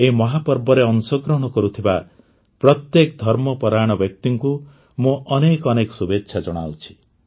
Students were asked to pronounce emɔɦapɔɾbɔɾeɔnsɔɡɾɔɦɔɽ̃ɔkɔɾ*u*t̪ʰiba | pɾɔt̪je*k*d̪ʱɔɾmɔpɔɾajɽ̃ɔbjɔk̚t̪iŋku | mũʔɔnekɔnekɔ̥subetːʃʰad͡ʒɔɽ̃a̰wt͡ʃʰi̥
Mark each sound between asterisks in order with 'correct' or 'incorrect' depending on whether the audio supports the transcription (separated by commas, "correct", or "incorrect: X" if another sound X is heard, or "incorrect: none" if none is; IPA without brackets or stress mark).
correct, correct